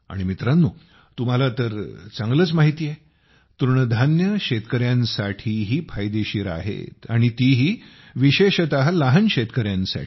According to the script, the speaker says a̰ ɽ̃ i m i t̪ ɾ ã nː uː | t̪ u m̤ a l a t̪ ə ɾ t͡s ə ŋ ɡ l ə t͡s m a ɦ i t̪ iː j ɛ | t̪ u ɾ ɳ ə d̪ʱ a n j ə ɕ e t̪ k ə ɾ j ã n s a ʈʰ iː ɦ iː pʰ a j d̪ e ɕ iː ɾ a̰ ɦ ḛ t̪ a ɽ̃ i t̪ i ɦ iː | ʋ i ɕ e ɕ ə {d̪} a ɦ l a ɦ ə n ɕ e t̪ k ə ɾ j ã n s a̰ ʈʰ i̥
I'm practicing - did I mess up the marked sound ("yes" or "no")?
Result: yes